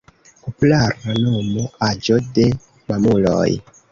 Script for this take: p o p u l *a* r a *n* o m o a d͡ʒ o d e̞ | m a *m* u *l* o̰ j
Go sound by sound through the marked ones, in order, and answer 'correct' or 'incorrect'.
correct, correct, correct, correct

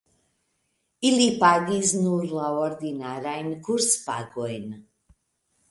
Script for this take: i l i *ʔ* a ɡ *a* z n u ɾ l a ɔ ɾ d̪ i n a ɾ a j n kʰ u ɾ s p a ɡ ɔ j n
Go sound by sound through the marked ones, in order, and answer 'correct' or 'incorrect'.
incorrect: p, incorrect: i

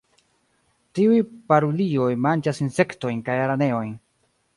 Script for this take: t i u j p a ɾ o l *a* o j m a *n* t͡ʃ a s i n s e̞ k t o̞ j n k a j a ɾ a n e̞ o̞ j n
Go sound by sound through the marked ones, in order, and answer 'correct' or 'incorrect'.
incorrect: i, correct

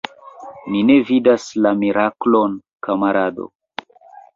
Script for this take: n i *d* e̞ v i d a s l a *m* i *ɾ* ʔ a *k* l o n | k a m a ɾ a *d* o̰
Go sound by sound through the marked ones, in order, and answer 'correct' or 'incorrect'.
incorrect: n, correct, correct, correct, correct

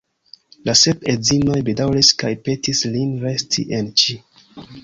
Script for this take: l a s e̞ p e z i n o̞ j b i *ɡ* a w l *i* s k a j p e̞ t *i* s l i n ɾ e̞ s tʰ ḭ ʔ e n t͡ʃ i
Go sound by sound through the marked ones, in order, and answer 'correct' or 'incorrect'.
incorrect: d, correct, correct

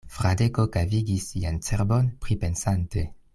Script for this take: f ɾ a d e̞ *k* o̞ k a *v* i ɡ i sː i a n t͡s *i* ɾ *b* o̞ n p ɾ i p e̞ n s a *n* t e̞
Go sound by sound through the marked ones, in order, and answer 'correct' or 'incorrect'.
correct, correct, incorrect: e, correct, correct

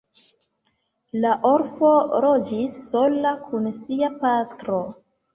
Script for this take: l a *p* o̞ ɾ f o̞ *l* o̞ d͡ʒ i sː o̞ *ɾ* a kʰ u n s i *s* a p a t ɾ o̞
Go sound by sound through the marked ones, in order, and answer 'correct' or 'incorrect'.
incorrect: ʔ, incorrect: ɾ, incorrect: l, incorrect: none

